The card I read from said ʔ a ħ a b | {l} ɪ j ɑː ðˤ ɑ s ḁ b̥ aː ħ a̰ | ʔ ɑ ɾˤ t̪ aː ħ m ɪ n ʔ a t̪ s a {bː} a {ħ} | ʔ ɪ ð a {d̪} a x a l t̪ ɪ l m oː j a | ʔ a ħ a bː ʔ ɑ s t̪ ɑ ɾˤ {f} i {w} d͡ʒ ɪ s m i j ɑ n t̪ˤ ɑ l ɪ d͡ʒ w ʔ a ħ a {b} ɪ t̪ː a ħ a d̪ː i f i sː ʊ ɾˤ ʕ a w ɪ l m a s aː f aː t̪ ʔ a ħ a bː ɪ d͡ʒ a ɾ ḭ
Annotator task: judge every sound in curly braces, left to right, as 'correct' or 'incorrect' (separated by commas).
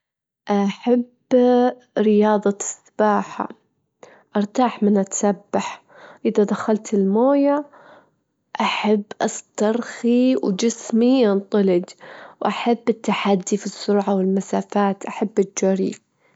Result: incorrect, correct, correct, correct, incorrect, correct, incorrect